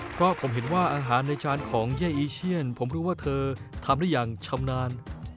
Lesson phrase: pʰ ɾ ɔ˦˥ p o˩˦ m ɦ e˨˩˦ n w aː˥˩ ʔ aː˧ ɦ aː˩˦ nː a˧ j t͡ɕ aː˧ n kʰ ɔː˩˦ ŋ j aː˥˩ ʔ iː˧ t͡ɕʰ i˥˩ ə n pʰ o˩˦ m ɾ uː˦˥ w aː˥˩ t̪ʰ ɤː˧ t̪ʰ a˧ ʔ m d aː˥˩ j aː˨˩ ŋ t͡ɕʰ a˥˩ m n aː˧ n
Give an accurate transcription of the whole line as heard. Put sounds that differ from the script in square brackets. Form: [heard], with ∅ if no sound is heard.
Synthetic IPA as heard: pʰ ɾ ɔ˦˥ [pʰ] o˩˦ m ɦ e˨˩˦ n w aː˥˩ ʔ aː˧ ɦ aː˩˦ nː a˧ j t͡ɕ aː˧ n kʰ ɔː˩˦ ŋ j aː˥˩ ʔ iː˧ t͡ɕʰ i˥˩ ə n pʰ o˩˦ m ɾ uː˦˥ w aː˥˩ t̪ʰ ɤː˧ t̪ʰ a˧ [∅] m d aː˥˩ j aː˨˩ ŋ t͡ɕʰ [a˧] m n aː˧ n